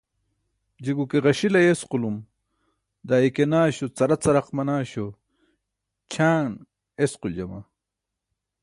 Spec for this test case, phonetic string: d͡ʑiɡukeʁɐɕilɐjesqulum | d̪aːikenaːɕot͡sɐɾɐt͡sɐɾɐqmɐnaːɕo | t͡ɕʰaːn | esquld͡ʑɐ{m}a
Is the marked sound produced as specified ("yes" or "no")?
yes